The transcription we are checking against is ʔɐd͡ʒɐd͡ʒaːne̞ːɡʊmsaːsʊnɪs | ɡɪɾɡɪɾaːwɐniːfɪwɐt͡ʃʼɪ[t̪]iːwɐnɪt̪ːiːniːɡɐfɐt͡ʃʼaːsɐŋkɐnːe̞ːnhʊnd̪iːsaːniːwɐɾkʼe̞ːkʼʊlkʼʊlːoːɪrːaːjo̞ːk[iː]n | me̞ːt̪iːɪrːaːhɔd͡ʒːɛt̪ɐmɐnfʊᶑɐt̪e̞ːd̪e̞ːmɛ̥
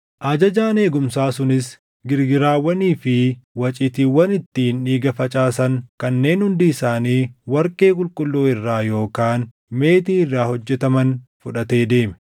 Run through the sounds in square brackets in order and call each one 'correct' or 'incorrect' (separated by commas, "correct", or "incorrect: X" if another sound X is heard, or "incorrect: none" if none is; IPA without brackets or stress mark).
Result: correct, incorrect: aː